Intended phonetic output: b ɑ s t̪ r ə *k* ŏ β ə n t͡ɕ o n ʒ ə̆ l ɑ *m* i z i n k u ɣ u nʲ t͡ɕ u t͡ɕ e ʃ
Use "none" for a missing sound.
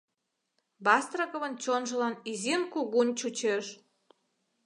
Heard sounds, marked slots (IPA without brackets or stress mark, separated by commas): k, n